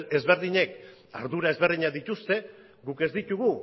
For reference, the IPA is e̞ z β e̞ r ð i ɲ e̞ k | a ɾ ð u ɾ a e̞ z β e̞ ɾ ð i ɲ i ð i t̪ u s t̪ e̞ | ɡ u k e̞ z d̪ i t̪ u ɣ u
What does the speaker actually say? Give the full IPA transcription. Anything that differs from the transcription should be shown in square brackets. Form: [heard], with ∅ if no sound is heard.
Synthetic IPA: e̞ z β e̞ [ɾ] ð i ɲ e̞ k | a ɾ ð u ɾ a e̞ z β e̞ ɾ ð i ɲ [a] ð i t̪ u s t̪ e̞ | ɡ u k e̞ z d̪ i t̪ u ɣ u